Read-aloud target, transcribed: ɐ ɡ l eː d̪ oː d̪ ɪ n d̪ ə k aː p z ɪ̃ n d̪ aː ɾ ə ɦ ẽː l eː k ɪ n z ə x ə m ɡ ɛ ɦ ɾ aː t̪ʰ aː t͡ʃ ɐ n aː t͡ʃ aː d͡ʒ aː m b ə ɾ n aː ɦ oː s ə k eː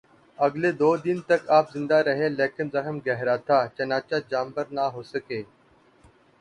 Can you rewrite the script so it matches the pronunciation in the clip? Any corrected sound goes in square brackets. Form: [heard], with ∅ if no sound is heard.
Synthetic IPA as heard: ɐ ɡ l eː d̪ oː d̪ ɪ n [t̪] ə k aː p z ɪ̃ n d̪ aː ɾ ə ɦ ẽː l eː k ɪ n z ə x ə m ɡ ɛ ɦ ɾ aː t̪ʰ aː t͡ʃ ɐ n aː t͡ʃ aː d͡ʒ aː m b ə ɾ n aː ɦ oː s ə k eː

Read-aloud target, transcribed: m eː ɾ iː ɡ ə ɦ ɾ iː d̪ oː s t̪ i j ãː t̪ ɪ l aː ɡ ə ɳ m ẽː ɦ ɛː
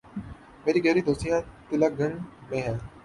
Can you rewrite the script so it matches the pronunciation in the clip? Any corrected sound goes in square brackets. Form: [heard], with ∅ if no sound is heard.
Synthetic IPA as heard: m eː ɾ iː ɡ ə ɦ ɾ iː d̪ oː s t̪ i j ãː t̪ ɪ l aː ɡ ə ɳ m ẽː ɦ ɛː

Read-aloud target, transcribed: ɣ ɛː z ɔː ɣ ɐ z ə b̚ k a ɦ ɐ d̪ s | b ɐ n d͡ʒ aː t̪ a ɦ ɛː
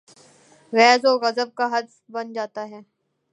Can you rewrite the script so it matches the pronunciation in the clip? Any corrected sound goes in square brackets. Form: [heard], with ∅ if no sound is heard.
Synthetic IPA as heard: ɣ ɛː z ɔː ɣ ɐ z ə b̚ k a ɦ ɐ d̪ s | b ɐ n d͡ʒ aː t̪ a ɦ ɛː

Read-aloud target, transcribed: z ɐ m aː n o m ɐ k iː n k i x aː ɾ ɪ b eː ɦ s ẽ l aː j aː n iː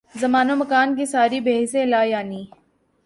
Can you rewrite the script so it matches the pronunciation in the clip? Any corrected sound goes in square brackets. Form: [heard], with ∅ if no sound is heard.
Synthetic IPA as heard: z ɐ m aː n o m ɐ k [aː] n k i [s] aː ɾ [i] b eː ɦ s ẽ l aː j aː n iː

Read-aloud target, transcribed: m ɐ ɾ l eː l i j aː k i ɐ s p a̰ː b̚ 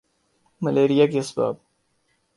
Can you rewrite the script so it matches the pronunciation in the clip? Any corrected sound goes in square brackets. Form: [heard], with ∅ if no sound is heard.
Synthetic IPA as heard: m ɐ [∅] l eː [ɾ] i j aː k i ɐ s [b] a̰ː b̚

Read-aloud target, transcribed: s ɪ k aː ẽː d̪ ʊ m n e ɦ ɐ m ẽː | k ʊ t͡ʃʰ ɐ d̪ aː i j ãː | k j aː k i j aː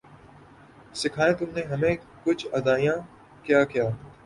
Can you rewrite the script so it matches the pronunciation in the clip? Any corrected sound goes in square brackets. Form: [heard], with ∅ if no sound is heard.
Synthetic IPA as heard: s ɪ [kʰ] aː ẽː [t̪] ʊ m n e ɦ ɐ m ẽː | k ʊ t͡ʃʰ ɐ d̪ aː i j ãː | k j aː k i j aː

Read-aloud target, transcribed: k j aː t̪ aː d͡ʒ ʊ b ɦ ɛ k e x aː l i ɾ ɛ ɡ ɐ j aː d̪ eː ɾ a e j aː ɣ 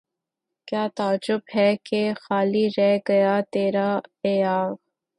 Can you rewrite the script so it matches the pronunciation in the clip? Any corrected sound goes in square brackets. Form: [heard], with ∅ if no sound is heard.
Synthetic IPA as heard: k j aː t̪ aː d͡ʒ ʊ b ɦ ɛ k e x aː l i ɾ ɛ ɡ ɐ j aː [t̪] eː ɾ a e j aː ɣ

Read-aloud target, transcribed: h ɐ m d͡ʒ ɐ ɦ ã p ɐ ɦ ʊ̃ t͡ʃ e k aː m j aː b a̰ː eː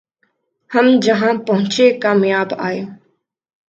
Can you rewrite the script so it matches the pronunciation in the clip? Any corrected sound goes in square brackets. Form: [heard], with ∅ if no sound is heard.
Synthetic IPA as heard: h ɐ m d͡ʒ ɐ ɦ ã p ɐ ɦ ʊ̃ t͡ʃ e k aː m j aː b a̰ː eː

